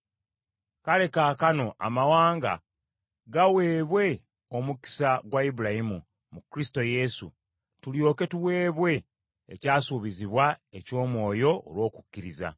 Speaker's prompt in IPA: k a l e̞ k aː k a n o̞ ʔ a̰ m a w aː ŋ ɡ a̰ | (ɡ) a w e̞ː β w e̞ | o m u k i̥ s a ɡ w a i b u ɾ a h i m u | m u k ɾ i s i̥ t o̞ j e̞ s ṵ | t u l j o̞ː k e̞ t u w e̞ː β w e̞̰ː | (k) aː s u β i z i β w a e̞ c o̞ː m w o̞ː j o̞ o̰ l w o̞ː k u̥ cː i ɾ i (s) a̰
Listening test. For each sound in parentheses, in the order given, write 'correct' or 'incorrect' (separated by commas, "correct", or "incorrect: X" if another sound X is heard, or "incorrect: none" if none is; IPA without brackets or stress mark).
correct, incorrect: c, incorrect: z